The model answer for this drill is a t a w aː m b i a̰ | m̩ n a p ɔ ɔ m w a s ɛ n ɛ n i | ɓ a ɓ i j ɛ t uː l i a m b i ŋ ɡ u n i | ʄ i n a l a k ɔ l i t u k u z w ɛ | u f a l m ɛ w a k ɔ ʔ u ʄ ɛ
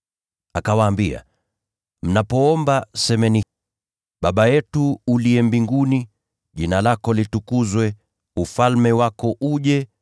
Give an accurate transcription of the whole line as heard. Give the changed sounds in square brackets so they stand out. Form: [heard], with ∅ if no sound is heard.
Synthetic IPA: a [k] a w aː m b i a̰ | m̩ n a p ɔ ɔ m [b] a s ɛ [m] ɛ n i | ɓ a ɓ [a] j ɛ t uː l i [ɛ] m b i ŋ ɡ u n i | ʄ i n a l a k ɔ l i t u k u z w ɛ | u f a l m ɛ w a k ɔ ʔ u ʄ ɛ